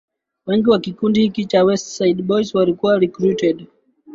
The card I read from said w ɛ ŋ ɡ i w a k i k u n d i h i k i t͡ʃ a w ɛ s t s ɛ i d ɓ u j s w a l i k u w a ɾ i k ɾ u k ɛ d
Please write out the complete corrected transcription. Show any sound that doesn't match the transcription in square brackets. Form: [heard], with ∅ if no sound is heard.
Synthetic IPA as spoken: w ɛ ŋ ɡ i w a k i k u n d i h i k i t͡ʃ a w ɛ s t s [a] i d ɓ [ɔ] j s w a l i k u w a ɾ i k ɾ u [t] ɛ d